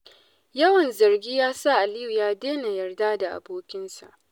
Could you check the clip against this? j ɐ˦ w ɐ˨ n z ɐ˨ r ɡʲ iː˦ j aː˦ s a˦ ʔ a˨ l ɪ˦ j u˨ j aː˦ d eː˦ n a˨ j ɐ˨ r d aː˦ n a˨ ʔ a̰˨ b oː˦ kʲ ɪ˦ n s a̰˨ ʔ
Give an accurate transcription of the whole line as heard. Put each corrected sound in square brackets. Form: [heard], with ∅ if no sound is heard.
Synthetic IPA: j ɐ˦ w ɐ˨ n z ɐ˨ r ɡʲ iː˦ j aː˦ s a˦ ʔ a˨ l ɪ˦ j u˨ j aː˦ d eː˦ n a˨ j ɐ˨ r d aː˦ [d] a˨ ʔ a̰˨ b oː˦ kʲ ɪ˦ n s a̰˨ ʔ